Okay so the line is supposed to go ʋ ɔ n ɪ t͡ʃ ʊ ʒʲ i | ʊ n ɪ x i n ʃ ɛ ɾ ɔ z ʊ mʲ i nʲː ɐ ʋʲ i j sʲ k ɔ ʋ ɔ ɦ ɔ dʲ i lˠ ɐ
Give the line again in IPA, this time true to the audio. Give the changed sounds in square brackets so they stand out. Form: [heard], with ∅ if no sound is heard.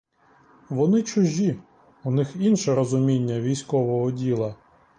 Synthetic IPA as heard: ʋ ɔ n ɪ t͡ʃ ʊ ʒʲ i | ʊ n ɪ x i n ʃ ɛ ɾ ɔ z ʊ mʲ i nʲː ɐ ʋʲ i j sʲ k ɔ ʋ ɔ ɦ ɔ dʲ i lˠ ɐ